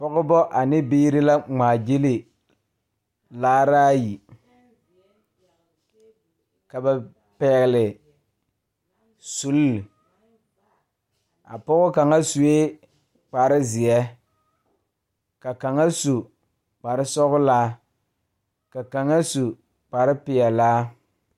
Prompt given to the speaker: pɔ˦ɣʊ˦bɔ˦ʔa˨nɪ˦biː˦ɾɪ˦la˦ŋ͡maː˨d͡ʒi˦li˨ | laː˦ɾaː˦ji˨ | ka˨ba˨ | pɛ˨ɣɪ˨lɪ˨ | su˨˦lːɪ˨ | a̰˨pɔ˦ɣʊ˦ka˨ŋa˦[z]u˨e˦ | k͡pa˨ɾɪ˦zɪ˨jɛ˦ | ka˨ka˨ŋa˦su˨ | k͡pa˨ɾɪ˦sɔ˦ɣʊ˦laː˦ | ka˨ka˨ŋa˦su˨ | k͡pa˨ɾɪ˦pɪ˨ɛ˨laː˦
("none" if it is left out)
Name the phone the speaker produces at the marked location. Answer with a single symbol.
s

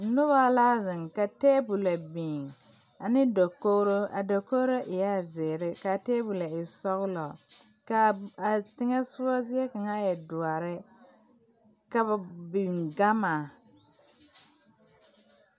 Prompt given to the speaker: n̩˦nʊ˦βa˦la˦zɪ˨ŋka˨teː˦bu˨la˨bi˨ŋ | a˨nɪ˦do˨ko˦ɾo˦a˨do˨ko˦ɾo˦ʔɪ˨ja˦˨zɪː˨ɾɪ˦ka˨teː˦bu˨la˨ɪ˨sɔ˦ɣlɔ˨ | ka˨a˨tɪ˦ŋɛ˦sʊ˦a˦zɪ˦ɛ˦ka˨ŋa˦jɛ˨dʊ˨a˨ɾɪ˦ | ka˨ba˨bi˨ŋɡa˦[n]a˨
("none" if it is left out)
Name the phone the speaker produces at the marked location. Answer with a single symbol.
m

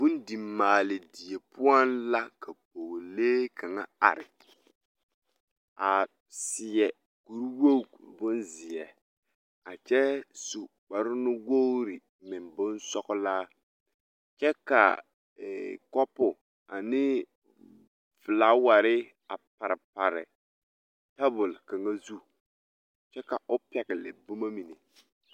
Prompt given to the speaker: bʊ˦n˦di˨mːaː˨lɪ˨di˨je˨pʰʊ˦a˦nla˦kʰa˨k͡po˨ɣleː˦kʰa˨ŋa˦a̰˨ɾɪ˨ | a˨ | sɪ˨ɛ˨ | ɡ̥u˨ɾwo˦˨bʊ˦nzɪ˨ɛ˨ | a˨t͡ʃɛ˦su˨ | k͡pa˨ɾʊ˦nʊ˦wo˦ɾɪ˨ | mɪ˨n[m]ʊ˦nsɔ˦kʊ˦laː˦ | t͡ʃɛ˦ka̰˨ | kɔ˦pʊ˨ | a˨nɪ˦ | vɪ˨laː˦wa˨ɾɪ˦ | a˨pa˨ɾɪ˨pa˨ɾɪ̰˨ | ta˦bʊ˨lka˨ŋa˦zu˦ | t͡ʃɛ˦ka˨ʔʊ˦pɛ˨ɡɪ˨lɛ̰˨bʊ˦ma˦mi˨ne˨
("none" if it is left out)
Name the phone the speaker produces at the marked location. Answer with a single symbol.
b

